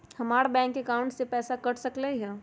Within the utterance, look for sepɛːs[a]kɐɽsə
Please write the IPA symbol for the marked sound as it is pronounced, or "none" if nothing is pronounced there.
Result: a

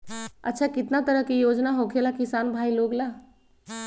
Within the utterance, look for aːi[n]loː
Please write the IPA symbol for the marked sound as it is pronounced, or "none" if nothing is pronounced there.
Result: none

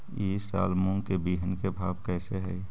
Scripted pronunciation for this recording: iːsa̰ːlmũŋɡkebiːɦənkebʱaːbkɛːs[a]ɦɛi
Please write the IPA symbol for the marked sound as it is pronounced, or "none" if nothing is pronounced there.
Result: e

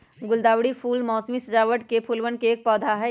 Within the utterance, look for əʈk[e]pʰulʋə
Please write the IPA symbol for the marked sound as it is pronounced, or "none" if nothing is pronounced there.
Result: e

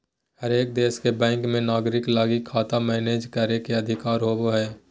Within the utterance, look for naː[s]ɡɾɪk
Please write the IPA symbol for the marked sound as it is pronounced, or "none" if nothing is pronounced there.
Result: none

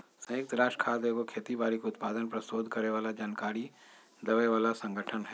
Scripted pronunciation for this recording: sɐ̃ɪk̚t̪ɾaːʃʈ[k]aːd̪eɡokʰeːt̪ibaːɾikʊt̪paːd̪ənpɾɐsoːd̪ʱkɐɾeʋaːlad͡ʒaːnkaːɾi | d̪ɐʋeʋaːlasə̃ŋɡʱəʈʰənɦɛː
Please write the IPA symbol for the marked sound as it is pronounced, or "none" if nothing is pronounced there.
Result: kʰ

